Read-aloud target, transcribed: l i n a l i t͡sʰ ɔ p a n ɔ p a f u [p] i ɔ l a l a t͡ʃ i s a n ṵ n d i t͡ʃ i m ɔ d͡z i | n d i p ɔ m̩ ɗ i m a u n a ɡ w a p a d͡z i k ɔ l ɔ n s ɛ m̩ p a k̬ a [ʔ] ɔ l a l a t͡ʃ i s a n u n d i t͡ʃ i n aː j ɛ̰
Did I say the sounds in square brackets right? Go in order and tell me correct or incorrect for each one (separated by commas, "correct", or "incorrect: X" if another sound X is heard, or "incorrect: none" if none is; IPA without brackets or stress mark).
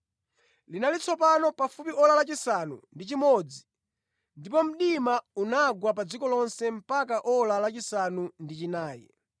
correct, correct